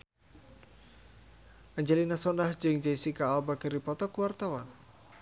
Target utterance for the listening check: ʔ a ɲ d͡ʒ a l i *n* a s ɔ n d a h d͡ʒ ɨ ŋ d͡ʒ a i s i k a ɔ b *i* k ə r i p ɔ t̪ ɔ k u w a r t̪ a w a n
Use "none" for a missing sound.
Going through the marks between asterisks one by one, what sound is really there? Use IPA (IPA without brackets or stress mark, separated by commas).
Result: n, a